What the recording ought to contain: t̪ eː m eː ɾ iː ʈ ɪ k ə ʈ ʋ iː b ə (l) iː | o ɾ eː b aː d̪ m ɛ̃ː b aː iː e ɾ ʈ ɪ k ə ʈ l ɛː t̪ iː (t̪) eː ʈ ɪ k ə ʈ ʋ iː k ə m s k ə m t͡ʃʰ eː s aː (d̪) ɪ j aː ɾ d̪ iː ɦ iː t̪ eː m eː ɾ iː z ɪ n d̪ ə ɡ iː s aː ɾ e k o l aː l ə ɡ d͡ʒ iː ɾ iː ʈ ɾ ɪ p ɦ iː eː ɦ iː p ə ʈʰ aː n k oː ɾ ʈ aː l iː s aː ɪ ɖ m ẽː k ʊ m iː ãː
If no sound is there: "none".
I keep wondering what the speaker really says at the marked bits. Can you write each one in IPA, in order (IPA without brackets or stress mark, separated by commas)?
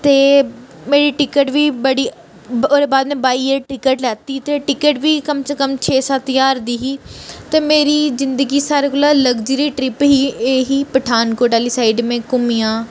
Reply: ɽ, t̪, t̪